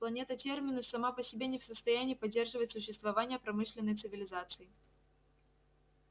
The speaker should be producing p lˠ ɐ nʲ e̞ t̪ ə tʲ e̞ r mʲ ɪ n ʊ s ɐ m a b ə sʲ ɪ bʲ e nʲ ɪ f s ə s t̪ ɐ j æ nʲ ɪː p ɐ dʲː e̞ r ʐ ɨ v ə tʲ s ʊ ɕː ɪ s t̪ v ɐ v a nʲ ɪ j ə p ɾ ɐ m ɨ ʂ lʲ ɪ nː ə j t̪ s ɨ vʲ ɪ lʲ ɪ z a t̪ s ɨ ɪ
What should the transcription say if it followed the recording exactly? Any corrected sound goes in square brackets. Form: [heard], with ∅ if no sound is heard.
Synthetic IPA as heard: p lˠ ɐ nʲ e̞ t̪ ə tʲ e̞ r mʲ ɪ n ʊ s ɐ m a [p] ə sʲ ɪ bʲ e nʲ ɪ f s ə s t̪ ɐ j æ nʲ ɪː p ɐ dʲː e̞ r ʐ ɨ v ə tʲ s ʊ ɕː ɪ s t̪ v ɐ v a nʲ ɪ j ə p ɾ ɐ m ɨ ʂ lʲ ɪ nː ə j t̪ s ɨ vʲ ɪ lʲ ɪ z a t̪ s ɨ ɪ